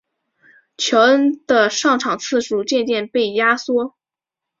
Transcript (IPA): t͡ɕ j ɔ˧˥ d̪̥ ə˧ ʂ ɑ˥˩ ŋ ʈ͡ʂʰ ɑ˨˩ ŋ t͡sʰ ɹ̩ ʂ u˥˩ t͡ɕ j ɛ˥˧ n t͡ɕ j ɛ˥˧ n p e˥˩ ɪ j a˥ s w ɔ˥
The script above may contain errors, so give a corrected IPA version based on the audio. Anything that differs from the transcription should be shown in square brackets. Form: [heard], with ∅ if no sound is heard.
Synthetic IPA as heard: [t͡ɕʰ] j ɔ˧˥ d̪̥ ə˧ ʂ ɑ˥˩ ŋ ʈ͡ʂʰ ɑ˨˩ ŋ t͡sʰ ɹ̩ ʂ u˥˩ t͡ɕ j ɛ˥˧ n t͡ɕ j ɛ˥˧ n p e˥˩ ɪ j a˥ s w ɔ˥